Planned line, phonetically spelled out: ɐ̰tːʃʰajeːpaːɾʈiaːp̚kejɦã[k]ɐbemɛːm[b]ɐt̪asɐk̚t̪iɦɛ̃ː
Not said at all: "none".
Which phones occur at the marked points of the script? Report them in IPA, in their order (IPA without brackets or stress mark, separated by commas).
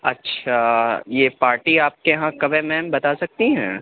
k, b